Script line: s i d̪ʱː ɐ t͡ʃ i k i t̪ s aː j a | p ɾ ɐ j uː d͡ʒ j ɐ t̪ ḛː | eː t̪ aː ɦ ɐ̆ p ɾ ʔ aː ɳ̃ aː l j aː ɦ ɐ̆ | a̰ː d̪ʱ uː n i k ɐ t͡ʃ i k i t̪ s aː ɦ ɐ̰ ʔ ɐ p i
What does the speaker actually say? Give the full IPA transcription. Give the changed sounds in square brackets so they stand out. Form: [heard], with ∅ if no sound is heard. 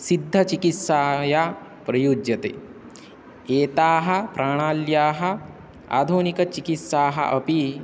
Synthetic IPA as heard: s i d̪ʱː ɐ t͡ʃ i k i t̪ s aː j a | p ɾ ɐ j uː d͡ʒ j ɐ t̪ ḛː | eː t̪ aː ɦ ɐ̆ p ɾ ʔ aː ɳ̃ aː l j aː ɦ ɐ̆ | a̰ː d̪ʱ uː n i k ɐ t͡ʃ i k i t̪ s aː ɦ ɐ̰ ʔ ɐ p i

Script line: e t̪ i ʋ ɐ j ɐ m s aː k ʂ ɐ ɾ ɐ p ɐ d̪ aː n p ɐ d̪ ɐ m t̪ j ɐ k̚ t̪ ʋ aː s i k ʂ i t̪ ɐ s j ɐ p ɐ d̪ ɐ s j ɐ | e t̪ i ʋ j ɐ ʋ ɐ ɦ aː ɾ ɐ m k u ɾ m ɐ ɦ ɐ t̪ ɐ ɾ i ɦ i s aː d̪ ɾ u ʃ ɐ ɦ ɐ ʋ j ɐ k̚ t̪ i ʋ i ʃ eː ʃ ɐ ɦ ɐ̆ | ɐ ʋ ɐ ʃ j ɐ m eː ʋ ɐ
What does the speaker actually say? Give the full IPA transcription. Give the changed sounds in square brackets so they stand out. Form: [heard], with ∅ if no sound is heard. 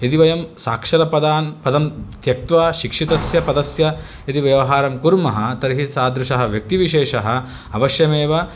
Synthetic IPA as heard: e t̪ i ʋ ɐ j ɐ m s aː k ʂ ɐ ɾ ɐ p ɐ d̪ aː n p ɐ d̪ ɐ m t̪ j ɐ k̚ t̪ ʋ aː [ʃ] i k ʂ i t̪ ɐ s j ɐ p ɐ d̪ ɐ s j ɐ | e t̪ i ʋ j ɐ ʋ ɐ ɦ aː ɾ ɐ m k u ɾ m ɐ ɦ ɐ t̪ ɐ ɾ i ɦ i s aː d̪ ɾ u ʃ ɐ ɦ ɐ ʋ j ɐ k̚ t̪ i ʋ i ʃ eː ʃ ɐ ɦ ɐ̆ | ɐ ʋ ɐ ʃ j ɐ m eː ʋ ɐ

